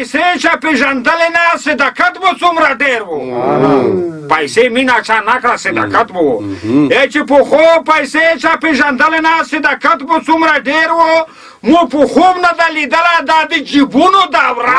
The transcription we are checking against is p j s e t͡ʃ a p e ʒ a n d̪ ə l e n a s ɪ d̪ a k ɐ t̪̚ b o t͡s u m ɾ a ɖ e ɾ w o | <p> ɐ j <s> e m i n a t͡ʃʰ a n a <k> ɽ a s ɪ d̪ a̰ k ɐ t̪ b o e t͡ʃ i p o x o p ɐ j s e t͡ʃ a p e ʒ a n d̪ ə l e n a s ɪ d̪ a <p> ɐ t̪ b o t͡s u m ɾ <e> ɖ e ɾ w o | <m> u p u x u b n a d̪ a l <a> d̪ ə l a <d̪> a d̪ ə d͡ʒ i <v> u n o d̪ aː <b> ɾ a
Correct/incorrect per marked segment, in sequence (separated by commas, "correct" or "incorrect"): correct, correct, correct, incorrect, incorrect, correct, incorrect, correct, incorrect, incorrect